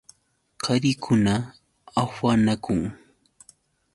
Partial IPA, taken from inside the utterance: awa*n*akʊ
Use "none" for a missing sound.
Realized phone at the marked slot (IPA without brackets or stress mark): n